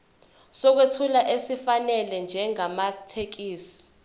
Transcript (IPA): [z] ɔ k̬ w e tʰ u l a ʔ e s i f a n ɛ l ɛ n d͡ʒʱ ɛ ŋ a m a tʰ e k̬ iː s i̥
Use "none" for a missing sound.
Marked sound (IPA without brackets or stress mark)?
s